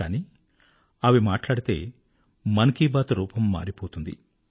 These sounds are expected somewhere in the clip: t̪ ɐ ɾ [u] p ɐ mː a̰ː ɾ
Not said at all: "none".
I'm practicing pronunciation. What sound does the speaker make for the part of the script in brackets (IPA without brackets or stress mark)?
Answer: uː